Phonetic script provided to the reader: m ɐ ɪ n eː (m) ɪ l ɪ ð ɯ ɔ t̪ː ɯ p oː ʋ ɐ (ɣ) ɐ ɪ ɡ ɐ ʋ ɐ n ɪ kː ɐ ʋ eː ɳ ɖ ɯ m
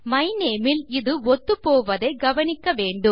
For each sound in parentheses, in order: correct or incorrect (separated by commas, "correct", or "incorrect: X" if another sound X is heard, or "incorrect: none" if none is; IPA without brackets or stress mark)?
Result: correct, incorrect: ð